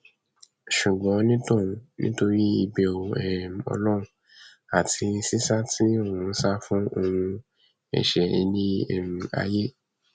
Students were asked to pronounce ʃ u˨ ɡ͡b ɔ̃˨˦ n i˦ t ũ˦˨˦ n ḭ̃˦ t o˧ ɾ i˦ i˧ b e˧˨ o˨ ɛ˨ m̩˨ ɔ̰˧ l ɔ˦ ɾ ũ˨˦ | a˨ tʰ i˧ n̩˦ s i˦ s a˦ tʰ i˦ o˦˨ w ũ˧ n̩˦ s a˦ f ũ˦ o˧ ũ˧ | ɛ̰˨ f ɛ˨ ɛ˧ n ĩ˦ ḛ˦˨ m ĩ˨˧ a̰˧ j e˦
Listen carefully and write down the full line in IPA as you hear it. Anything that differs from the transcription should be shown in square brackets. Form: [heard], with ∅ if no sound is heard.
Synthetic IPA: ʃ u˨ ɡ͡b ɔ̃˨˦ n [ĩ˦] t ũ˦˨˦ n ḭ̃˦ t o˧ ɾ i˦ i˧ b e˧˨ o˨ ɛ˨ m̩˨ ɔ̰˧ l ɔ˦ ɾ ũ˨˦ | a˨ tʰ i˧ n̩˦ s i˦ s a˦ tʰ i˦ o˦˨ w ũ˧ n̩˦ s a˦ f ũ˦ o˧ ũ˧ | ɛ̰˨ [ʃ] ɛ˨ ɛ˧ n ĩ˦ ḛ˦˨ m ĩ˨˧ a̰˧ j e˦